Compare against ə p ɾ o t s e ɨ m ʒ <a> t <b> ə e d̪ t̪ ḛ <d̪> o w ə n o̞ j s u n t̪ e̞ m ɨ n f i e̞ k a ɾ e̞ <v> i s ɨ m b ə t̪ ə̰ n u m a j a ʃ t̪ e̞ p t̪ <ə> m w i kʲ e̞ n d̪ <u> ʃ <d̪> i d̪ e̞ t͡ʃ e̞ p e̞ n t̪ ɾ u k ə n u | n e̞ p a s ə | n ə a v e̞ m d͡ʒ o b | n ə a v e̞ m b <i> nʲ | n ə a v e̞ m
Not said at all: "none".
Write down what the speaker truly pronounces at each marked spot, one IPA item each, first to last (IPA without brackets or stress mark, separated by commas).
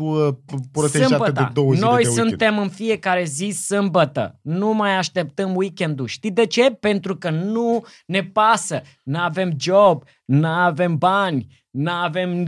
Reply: a, b, d̪, z, ə, u, t̪, a